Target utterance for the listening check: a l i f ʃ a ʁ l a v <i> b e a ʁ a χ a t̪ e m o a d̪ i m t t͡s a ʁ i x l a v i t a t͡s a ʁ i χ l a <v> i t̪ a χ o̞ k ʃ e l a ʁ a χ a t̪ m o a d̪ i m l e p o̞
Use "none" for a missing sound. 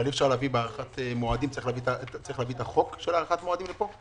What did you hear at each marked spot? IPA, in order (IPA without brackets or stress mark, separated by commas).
i, v